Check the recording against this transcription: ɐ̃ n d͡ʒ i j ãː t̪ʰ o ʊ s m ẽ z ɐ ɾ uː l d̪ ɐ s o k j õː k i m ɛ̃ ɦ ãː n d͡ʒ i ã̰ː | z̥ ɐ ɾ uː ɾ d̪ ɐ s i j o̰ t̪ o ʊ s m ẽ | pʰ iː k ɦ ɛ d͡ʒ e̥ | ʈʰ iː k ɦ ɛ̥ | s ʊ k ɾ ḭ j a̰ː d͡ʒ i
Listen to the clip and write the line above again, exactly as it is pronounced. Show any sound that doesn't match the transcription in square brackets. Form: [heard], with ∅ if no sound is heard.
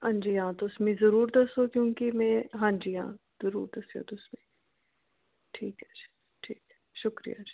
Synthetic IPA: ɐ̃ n d͡ʒ i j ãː [t̪] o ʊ s m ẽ z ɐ ɾ uː [ɾ] d̪ ɐ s o k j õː k i m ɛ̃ ɦ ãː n d͡ʒ i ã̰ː | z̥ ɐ ɾ uː ɾ d̪ ɐ s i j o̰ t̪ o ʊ s m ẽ | [ʈʰ] iː k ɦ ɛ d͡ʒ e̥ | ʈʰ iː k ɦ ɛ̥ | [ʃ] ʊ k ɾ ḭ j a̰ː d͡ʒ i